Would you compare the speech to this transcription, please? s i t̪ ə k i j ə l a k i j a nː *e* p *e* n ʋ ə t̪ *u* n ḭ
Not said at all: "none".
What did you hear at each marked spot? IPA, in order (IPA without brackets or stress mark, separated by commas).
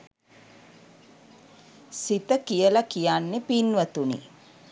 e, i, u